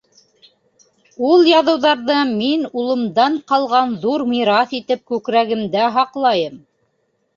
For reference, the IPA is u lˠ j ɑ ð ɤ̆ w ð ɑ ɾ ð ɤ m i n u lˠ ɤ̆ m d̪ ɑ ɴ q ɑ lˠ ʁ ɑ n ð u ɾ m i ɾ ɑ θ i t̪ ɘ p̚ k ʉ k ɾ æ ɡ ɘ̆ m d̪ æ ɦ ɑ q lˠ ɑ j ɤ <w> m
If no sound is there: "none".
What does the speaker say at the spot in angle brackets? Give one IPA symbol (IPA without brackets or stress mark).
none